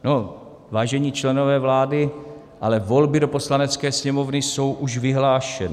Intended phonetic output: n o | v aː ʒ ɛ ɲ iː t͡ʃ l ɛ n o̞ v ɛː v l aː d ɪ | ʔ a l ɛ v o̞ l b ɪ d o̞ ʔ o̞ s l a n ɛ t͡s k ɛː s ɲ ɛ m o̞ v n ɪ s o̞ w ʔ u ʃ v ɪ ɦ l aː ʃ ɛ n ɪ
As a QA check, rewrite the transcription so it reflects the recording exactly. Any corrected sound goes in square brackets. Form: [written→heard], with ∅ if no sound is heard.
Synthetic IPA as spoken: n o | v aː ʒ ɛ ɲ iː t͡ʃ l ɛ n o̞ v ɛː v l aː d ɪ | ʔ a l ɛ v o̞ l b ɪ d o̞ [ʔ→p] o̞ s l a n ɛ t͡s k ɛː s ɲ ɛ m o̞ v n ɪ s o̞ w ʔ u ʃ v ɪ ɦ l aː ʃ ɛ n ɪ